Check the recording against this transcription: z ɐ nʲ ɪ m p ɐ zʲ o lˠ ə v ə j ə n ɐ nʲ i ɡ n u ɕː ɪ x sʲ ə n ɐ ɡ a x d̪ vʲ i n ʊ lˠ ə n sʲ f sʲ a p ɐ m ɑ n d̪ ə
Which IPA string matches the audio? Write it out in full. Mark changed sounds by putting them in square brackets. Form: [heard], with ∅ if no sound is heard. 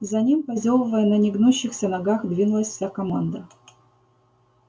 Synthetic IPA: z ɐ nʲ [i] m p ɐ zʲ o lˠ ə v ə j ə n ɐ nʲ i ɡ n u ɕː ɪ x sʲ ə n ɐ ɡ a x d̪ vʲ i n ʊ lˠ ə [∅] sʲ f sʲ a [k] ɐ m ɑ n d̪ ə